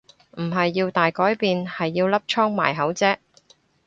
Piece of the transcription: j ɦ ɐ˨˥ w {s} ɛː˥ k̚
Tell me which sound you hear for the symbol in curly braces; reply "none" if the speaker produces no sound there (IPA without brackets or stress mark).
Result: t͡s